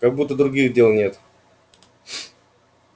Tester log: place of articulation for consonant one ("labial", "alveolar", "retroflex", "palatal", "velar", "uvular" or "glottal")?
velar